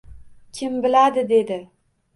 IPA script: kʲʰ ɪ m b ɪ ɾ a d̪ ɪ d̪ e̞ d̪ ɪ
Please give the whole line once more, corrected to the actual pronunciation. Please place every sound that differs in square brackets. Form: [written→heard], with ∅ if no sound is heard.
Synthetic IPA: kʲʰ ɪ m b ɪ [ɾ→l] a d̪ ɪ d̪ e̞ d̪ ɪ